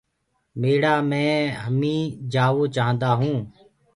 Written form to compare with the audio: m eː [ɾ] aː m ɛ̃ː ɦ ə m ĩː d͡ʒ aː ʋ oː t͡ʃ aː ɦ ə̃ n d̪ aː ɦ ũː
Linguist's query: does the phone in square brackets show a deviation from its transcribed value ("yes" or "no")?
yes